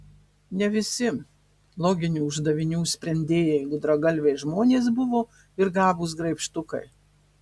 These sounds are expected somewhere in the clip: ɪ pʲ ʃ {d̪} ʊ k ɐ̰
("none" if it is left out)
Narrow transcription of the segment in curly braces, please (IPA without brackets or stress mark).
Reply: t̪